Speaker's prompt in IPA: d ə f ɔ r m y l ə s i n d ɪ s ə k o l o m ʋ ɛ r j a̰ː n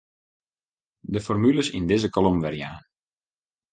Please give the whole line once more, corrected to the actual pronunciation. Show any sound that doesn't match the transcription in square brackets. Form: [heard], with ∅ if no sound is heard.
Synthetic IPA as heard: d ə f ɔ r m y l ə s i n d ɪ [z] ə k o l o m ʋ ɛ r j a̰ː n